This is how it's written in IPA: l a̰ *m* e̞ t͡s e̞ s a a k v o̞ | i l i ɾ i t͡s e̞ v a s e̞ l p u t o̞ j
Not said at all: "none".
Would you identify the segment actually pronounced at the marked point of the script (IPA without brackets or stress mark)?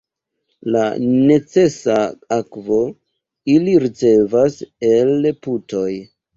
n